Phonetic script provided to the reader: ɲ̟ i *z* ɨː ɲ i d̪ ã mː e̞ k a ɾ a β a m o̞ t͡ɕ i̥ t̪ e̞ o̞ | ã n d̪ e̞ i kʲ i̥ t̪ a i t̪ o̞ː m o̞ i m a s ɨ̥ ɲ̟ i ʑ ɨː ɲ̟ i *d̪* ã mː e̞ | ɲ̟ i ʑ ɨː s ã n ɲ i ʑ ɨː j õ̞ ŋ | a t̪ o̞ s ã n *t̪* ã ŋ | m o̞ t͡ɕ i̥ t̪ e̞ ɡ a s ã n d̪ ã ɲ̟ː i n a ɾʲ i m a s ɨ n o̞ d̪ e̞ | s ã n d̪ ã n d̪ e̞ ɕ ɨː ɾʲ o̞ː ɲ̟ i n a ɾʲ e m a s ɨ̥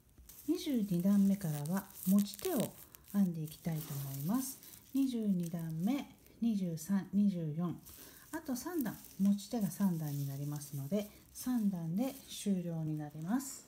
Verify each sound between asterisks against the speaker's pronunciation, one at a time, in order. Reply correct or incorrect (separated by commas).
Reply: incorrect, correct, incorrect